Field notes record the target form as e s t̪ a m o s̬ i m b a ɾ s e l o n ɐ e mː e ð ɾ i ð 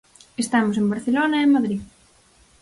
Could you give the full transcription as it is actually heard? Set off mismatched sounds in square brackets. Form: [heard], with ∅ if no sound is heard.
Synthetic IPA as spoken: e s t̪ a m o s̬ [e] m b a ɾ [θ] e l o n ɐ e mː [a] ð ɾ i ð

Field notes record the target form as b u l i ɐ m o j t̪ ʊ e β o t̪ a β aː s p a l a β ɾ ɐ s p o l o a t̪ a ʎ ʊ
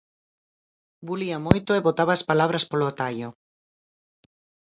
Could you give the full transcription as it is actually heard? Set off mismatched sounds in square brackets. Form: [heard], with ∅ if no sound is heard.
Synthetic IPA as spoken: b u l i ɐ m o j t̪ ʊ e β o t̪ a β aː s p a l a β ɾ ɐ s p o l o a t̪ a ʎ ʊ

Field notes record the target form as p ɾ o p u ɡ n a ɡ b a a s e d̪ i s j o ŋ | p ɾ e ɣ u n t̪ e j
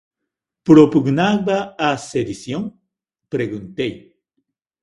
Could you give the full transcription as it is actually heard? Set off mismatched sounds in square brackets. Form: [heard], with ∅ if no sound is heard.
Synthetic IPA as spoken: p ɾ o p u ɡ n a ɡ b a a s e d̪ i s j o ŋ | p ɾ e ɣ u n t̪ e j

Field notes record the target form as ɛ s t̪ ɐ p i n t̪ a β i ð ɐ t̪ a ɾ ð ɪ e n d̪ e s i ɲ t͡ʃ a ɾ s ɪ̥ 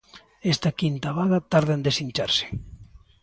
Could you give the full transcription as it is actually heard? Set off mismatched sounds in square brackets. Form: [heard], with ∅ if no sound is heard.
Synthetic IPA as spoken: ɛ s t̪ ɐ [k] i n t̪ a β [a] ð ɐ t̪ a ɾ ð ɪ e n d̪ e s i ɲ t͡ʃ a ɾ s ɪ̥

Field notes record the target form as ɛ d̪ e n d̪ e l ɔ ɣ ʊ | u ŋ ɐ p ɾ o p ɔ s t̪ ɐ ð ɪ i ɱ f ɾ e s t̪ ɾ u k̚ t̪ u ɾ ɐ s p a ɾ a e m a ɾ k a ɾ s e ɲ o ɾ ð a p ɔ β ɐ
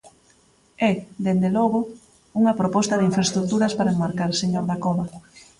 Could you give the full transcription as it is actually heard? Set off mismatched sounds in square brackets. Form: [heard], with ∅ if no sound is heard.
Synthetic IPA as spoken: ɛ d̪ e n d̪ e l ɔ ɣ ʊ | u ŋ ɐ p ɾ o p ɔ s t̪ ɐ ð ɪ i ɱ f ɾ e s t̪ ɾ u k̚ t̪ u ɾ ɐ s p a ɾ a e m a ɾ k a ɾ s e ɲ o ɾ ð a [k] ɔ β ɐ

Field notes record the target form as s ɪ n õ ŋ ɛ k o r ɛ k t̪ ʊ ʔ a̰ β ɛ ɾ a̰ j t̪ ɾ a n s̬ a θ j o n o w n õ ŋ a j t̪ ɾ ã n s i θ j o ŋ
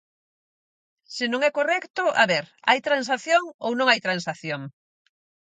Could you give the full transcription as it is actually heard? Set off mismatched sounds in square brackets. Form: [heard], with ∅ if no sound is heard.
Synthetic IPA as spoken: s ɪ n õ ŋ ɛ k o r ɛ k t̪ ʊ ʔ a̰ β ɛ ɾ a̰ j t̪ ɾ a n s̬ a θ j o [ŋ] o w n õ ŋ a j t̪ ɾ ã n s [a] θ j o ŋ

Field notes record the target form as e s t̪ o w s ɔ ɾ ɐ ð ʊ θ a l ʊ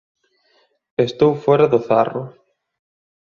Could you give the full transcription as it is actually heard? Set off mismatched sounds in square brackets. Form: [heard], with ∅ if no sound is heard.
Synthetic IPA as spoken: e s t̪ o w [f] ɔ ɾ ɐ ð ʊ θ a [r] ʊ

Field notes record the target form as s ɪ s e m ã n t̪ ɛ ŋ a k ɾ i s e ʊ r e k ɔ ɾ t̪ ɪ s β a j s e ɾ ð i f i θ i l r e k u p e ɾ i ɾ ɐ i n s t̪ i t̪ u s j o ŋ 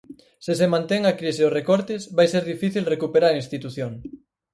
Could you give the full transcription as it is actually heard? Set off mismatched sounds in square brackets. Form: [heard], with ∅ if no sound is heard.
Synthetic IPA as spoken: s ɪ s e m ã n t̪ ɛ ŋ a k ɾ i s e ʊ r e k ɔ ɾ t̪ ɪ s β a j s e ɾ ð i f i θ i l r e k u p e ɾ [a] ɾ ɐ i n s t̪ i t̪ u [θ] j o ŋ

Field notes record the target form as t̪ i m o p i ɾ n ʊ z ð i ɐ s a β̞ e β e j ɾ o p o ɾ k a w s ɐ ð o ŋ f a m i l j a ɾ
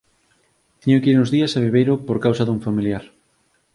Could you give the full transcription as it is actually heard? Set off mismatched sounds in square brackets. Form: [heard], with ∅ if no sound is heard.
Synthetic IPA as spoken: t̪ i [ɲ] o [k] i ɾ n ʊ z ð i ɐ s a β̞ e β e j ɾ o p o ɾ k a w s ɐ ð [u] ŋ f a m i l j a ɾ

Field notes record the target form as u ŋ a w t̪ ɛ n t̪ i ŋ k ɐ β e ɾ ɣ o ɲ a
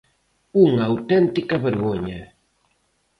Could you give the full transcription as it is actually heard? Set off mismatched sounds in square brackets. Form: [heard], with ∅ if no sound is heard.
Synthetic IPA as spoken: u ŋ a w t̪ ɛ n t̪ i [∅] k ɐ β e ɾ ɣ o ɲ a

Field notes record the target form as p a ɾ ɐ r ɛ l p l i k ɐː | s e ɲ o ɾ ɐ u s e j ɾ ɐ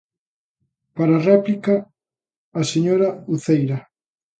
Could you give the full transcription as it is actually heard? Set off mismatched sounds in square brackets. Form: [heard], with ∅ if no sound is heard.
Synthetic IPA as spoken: p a ɾ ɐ r ɛ [∅] p l i k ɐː | s e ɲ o ɾ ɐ u [θ] e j ɾ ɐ

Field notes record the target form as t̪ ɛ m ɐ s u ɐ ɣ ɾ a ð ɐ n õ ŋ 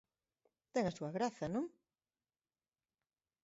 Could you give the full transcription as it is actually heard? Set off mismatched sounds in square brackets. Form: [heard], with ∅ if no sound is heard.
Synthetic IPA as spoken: t̪ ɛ [ŋ] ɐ s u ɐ ɣ ɾ a [θ] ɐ n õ ŋ

